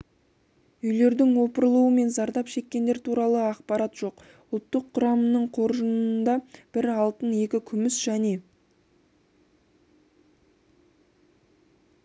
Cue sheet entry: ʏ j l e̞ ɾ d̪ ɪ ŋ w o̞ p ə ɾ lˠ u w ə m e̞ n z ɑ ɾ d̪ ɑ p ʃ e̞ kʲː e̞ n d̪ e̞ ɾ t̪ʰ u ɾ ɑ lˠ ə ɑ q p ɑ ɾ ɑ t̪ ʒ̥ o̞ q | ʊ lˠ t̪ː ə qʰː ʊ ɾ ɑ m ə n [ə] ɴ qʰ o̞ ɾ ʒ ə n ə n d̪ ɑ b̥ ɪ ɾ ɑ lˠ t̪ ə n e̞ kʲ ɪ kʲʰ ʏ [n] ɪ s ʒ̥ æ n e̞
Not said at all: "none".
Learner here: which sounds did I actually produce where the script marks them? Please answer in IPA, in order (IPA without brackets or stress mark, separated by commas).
ə, m